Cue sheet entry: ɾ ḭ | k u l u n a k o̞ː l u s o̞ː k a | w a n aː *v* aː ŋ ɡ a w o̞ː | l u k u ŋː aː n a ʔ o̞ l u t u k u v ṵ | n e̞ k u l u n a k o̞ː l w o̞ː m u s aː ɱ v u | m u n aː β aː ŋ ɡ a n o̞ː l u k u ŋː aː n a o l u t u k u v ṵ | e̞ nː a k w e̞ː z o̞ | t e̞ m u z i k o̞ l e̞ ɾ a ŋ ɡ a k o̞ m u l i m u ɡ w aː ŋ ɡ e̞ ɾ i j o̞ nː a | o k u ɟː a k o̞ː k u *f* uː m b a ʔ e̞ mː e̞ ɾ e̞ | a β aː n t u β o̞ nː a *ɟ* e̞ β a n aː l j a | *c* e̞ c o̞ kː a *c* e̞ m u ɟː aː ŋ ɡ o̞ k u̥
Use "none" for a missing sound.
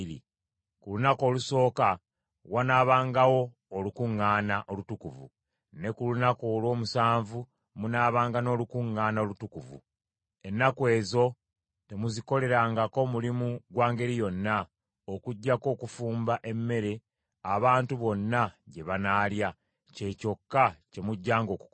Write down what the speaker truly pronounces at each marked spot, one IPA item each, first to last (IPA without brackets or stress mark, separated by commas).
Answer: β, f, ɟ, c, c